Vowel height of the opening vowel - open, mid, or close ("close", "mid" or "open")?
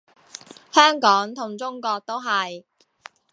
mid